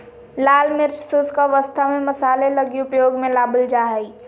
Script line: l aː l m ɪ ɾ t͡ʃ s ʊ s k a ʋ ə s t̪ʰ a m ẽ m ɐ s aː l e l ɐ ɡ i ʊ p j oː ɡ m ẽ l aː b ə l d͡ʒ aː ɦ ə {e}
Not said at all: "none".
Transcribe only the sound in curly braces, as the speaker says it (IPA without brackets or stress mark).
i